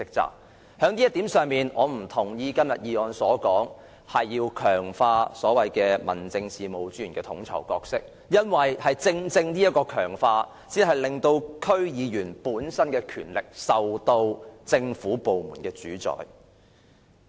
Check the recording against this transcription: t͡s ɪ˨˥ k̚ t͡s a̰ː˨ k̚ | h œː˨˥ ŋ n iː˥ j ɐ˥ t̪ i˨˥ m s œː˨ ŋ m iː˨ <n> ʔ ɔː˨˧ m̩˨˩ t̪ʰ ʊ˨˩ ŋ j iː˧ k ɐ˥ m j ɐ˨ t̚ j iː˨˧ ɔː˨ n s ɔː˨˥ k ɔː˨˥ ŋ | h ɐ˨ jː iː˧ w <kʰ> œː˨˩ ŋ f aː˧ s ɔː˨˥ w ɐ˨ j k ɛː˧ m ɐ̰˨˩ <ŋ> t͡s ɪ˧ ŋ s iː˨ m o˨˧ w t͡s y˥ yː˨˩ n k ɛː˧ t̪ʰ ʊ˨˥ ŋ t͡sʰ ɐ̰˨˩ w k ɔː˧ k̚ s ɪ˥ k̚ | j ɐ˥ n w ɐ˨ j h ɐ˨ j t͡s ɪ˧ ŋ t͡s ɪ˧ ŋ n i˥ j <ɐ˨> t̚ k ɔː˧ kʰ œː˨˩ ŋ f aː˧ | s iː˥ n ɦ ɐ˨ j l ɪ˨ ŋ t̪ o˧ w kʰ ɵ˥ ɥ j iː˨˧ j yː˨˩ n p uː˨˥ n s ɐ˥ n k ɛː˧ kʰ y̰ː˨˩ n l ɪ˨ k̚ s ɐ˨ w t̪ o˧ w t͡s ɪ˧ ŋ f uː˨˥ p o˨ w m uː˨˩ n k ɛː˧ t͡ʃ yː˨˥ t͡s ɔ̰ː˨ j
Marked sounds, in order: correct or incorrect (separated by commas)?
correct, correct, incorrect, incorrect